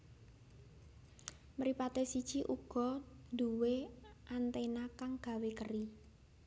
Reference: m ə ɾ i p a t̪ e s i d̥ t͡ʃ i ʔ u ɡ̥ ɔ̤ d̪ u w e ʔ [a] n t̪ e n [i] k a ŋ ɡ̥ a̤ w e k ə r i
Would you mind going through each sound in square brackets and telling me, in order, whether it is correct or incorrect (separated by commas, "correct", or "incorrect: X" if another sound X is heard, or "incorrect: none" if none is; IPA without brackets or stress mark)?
correct, incorrect: a